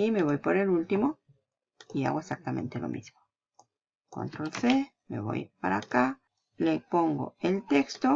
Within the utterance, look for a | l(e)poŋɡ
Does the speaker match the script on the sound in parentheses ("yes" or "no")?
yes